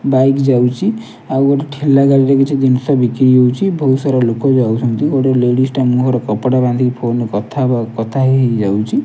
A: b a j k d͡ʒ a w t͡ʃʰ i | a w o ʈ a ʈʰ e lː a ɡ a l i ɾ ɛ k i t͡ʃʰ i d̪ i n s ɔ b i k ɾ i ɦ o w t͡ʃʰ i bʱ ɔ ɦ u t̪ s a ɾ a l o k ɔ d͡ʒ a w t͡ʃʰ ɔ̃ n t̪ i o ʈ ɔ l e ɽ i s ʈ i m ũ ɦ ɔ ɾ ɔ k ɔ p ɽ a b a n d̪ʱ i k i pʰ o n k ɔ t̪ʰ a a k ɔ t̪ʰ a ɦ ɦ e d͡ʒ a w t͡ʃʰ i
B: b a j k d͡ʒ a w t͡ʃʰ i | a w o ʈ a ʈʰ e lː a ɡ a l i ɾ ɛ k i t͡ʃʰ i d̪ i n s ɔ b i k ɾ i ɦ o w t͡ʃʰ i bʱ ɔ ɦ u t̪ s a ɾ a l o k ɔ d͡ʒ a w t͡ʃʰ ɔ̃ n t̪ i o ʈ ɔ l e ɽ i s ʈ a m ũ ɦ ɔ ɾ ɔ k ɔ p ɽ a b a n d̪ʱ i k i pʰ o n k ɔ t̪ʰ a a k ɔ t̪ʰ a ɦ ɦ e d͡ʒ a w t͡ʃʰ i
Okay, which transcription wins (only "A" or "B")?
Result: B